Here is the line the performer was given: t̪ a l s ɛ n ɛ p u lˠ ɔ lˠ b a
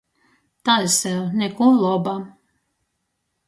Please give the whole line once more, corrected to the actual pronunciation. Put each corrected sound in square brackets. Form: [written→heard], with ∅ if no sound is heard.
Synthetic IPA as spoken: t̪ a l s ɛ n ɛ [p→k] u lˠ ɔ [lˠ→∅] b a